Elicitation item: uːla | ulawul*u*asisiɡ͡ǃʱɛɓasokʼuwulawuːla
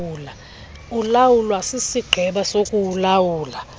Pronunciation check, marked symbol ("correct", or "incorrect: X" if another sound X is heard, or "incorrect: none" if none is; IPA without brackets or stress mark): incorrect: w